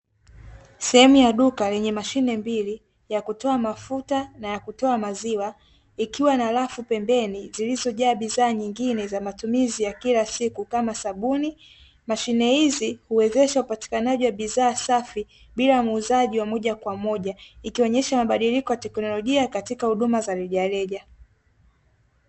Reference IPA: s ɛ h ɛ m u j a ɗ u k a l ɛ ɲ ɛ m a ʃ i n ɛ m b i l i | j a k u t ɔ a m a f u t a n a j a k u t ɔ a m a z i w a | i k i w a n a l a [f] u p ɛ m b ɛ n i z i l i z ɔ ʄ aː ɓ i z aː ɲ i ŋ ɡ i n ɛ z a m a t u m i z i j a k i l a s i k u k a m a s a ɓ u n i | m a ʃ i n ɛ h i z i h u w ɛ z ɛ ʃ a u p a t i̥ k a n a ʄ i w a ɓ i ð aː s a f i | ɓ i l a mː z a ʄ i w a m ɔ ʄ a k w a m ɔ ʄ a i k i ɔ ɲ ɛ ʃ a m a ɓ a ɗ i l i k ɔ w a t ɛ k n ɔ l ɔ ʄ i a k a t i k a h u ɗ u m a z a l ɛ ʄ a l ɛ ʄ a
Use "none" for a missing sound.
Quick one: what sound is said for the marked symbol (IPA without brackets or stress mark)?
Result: f